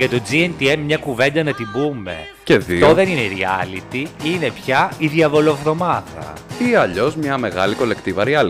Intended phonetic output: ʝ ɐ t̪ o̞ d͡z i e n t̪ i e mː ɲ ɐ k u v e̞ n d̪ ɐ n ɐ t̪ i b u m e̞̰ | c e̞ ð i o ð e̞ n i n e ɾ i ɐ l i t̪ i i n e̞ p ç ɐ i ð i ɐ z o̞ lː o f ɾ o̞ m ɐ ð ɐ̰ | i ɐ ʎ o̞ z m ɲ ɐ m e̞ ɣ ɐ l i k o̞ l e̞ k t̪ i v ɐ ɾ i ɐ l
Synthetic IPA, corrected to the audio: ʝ ɐ t̪ o̞ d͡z i e n t̪ i e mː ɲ ɐ k u v e̞ n d̪ ɐ n ɐ t̪ i b u m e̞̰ | c e̞ ð i o ð e̞ n i n e ɾ i ɐ l i t̪ i i n e̞ p ç ɐ i ð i ɐ v o̞ l o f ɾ o̞ m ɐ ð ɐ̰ | i ɐ ʎ o̞ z m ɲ ɐ m e̞ ɣ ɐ l i k o̞ l e̞ k t̪ i v ɐ ɾ i ɐ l